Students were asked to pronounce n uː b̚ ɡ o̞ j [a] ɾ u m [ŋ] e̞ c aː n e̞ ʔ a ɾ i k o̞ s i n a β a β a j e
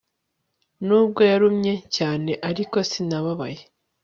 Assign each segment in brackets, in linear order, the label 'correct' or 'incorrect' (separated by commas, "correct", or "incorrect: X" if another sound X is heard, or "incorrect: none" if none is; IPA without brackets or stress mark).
correct, incorrect: ɲ